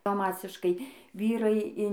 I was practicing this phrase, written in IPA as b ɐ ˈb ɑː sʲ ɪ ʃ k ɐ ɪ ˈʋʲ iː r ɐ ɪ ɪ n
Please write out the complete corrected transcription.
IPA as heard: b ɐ ˈm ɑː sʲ ɪ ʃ k ɐ ɪ ˈʋʲ iː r ɐ ɪ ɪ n